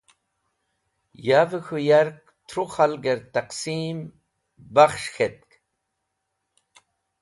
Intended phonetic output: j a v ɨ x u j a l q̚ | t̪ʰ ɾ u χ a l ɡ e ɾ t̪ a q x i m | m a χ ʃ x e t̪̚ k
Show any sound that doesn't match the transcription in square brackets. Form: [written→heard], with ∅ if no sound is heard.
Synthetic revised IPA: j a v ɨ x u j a [l→ɾ] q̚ | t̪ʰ ɾ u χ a l ɡ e ɾ t̪ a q [x→s] i m | [m→b] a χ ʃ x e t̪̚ k